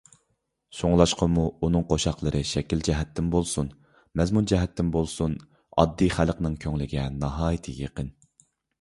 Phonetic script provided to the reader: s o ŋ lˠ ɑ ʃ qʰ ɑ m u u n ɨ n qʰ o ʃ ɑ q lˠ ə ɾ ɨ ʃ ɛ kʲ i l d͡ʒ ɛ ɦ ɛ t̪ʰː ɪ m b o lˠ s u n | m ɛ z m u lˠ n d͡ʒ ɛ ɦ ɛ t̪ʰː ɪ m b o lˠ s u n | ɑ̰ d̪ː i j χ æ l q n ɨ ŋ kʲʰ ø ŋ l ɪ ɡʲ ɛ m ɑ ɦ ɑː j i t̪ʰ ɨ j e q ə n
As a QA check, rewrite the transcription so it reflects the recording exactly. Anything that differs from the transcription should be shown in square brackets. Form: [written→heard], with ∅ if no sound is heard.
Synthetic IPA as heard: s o ŋ lˠ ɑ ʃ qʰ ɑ m u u n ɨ [n→ŋ] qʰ o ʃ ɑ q lˠ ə ɾ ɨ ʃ ɛ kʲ i l d͡ʒ ɛ ɦ ɛ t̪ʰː ɪ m b o lˠ s u n | m ɛ z m u [lˠ→∅] n d͡ʒ ɛ ɦ ɛ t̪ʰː ɪ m b o lˠ s u n | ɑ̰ d̪ː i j χ æ l q n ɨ ŋ kʲʰ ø ŋ l ɪ ɡʲ ɛ [m→n] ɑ ɦ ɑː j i t̪ʰ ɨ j e q ə n